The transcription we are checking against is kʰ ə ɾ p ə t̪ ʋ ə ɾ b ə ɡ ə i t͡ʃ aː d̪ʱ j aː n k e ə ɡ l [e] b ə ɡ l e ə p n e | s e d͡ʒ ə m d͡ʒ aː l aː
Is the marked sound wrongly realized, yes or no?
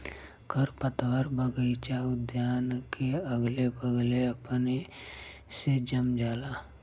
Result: no